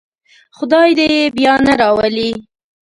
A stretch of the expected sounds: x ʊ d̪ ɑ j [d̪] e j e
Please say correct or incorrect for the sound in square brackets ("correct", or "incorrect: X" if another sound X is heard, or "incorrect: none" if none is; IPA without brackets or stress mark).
correct